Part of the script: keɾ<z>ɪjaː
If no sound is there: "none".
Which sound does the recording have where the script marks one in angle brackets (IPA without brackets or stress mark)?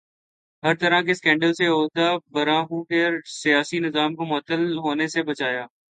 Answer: s